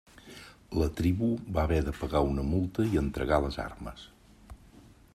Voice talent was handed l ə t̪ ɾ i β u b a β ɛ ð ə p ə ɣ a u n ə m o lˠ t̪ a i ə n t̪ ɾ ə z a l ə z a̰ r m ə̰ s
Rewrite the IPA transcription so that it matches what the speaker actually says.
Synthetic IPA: l ə t̪ ɾ i β u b a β ɛ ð ə p ə ɣ a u n ə m u lˠ t̪ ə i ə n t̪ ɾ ə ɣ a l ə z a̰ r m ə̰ s